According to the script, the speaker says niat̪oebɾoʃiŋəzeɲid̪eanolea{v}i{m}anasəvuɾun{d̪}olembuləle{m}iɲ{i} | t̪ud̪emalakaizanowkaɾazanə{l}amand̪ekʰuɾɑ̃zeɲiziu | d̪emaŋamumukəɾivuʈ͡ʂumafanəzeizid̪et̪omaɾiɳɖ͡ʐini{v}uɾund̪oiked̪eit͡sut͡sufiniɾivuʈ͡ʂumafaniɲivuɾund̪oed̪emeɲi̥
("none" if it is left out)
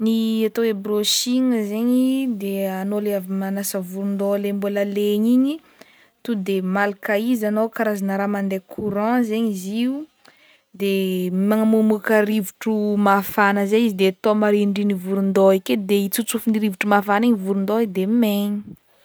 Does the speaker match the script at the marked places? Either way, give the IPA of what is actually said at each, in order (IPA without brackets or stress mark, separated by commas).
v, m, d̪, ɲ, i, ɾ, v